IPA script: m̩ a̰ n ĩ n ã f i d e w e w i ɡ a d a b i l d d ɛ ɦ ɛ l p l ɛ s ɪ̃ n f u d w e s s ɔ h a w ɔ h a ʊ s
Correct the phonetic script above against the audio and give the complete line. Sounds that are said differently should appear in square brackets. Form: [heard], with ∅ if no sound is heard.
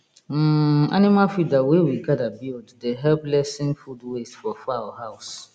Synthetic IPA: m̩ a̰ n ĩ [m] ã f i d [a] w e w i ɡ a d a b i l d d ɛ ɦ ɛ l p l ɛ s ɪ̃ n f u d w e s [f] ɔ [f] a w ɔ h a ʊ s